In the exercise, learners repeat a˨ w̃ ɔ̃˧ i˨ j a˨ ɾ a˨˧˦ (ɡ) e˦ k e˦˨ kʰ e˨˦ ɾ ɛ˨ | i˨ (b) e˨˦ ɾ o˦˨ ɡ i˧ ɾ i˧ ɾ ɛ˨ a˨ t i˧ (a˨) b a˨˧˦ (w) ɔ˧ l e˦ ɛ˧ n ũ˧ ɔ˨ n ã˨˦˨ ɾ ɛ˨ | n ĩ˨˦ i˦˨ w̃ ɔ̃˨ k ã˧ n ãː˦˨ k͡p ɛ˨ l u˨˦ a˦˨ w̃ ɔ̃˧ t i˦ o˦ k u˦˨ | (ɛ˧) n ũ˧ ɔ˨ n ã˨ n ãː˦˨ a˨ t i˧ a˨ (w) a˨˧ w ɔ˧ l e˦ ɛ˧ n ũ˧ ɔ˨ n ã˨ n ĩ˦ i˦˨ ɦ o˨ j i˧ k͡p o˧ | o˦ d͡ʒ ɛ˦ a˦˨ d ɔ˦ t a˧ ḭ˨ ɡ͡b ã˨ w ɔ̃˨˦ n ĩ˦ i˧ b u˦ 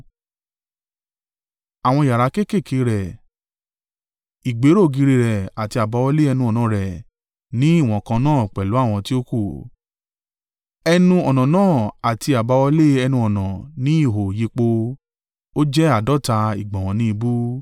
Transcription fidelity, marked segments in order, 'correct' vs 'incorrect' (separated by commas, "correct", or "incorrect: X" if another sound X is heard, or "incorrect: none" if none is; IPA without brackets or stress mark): incorrect: k, incorrect: ɡ͡b, correct, correct, correct, incorrect: b